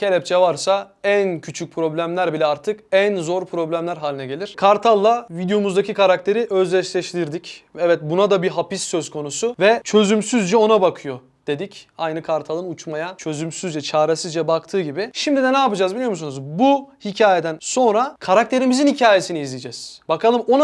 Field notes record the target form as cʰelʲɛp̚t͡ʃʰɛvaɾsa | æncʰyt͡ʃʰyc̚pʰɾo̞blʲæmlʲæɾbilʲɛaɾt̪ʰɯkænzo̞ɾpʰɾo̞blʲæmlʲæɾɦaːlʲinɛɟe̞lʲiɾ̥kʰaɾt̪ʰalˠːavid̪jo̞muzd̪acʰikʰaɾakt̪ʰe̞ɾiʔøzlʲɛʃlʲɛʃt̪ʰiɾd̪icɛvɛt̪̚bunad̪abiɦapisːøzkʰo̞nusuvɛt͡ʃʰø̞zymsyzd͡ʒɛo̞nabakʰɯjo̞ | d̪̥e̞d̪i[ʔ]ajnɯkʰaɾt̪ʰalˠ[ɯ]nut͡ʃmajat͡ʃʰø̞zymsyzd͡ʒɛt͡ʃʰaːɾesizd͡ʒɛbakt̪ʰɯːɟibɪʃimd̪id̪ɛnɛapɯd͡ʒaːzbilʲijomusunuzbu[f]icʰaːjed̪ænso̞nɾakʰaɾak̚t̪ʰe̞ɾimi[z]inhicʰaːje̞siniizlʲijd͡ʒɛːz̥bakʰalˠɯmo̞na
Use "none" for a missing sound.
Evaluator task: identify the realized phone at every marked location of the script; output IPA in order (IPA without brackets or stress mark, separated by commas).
c, ɯ, h, z